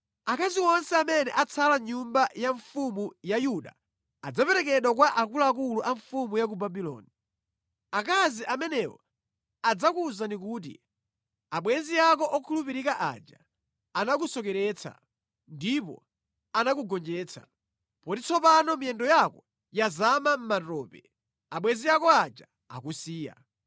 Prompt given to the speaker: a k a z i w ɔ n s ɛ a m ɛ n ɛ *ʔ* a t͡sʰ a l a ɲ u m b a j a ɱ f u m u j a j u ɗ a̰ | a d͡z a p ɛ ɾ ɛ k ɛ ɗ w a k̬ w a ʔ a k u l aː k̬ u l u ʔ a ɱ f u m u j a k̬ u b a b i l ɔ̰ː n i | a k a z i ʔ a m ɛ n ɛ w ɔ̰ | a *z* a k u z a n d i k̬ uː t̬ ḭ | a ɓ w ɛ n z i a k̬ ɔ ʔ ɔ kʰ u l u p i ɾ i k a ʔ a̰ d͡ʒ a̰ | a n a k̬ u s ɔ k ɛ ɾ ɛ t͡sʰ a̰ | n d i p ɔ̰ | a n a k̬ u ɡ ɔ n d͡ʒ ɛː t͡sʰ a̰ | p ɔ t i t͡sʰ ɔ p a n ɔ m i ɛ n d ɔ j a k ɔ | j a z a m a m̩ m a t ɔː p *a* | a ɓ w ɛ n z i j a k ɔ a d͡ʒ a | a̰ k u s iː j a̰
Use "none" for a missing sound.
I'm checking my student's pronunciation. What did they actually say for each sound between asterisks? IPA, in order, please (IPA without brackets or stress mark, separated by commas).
ʔ, d͡z, ɛ